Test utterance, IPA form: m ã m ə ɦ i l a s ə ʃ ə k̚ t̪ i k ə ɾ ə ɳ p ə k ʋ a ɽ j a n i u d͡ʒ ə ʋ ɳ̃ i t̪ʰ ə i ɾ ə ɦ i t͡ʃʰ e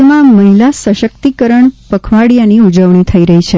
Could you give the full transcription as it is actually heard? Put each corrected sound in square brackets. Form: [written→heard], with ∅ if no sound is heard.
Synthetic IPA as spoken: m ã m ə ɦ i l a s ə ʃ ə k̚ t̪ i k ə ɾ ə ɳ p ə [k→kʰ] ʋ a ɽ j a n i u d͡ʒ ə ʋ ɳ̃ i t̪ʰ ə i ɾ ə ɦ i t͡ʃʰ e